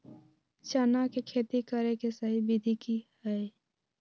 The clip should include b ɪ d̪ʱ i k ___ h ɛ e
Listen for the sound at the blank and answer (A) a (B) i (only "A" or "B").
B